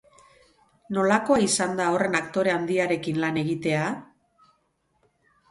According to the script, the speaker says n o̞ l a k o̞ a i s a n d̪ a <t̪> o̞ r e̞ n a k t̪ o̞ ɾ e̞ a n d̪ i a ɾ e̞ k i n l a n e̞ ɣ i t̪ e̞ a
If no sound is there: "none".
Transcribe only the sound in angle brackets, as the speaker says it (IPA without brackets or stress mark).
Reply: none